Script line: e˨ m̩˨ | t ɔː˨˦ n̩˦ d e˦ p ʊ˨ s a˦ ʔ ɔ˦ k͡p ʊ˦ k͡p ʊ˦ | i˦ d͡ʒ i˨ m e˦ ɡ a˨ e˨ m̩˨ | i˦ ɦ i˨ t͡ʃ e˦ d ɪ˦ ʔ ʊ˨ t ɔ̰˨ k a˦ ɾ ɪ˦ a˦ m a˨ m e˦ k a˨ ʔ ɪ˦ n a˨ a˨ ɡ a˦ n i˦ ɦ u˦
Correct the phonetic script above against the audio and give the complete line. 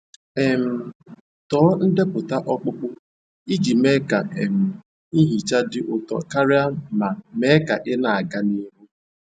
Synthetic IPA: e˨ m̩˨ | t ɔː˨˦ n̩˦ d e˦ p ʊ˨ t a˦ ʔ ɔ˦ k͡p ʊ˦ k͡p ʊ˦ | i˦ d͡ʒ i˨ m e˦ k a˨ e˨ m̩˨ | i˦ ɦ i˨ t͡ʃ a˦ d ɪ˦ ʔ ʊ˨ t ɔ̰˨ k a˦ ɾ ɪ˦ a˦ m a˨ m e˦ k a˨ ʔ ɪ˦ n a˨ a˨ ɡ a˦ n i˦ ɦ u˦

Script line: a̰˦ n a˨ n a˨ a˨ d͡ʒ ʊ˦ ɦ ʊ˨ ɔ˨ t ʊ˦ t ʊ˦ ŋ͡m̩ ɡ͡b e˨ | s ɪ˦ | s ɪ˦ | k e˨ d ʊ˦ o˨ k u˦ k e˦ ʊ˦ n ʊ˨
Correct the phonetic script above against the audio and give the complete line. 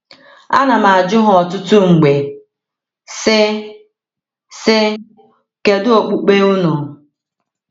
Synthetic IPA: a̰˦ n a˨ m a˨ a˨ d͡ʒ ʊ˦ ɦ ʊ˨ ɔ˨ t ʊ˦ t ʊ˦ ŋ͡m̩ ɡ͡b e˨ | s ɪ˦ | s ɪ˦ | k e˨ d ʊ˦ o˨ k͡p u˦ k͡p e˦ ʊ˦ n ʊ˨

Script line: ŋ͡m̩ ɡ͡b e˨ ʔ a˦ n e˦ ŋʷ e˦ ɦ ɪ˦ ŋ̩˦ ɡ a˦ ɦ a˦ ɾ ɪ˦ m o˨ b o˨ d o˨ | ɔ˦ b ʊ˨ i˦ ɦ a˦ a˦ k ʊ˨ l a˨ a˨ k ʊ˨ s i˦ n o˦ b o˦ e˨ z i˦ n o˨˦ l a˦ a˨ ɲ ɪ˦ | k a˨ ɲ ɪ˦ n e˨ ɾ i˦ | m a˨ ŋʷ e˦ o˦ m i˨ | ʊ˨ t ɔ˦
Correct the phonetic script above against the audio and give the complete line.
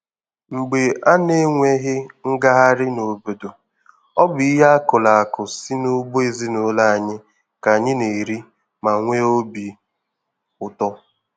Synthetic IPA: ŋ͡m̩ ɡ͡b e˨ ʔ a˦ n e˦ ŋʷ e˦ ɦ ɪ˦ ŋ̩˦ ɡ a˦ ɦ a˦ ɾ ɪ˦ n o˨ b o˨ d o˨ | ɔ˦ b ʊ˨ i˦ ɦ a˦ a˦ k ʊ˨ l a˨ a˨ k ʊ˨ s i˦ n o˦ b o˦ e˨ z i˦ n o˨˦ l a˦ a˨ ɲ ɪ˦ | k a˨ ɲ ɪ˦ n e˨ ɾ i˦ | m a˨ ŋʷ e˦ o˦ b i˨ | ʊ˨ t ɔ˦

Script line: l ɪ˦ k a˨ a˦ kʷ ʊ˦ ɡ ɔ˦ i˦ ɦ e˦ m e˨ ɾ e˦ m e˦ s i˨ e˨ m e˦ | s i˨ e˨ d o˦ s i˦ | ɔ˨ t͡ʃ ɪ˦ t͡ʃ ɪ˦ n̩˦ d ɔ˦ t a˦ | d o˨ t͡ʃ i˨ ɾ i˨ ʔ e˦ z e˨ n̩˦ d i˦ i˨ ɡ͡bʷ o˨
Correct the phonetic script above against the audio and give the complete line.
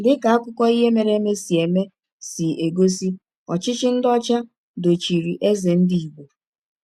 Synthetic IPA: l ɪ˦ k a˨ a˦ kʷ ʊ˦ k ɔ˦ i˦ ɦ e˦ m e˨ ɾ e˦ m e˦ s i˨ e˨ m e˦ | s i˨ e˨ ɡ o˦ s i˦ | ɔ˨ t͡ʃ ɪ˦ t͡ʃ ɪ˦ n̩˦ d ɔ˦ t͡ʃ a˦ | d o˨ t͡ʃ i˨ ɾ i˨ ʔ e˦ z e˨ n̩˦ d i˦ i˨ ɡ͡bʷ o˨

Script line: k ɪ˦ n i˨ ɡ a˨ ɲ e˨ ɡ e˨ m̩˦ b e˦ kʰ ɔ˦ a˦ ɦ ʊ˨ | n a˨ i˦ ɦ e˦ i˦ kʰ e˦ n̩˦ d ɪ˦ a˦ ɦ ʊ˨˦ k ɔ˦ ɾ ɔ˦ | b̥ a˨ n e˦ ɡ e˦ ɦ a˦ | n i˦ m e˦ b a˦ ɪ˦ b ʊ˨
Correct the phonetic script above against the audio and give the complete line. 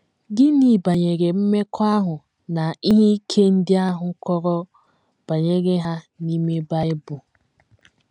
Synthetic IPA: ɡ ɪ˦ n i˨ b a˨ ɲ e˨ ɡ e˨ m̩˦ m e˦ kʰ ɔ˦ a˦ ɦ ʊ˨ | n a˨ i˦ ɦ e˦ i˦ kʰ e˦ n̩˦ d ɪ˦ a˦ ɦ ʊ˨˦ k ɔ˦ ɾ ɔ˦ | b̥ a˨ ɲ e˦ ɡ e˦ ɦ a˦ | n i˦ m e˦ b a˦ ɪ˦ b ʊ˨

